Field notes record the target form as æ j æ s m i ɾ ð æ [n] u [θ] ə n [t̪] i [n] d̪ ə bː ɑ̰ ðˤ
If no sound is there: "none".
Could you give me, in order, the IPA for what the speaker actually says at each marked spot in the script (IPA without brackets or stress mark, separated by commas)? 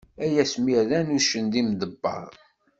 n, ʃ, d̪, m